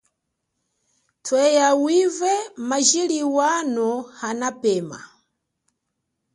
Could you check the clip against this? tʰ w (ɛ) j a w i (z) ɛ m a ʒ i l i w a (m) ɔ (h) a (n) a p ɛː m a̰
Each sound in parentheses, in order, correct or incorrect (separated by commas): correct, incorrect, incorrect, correct, correct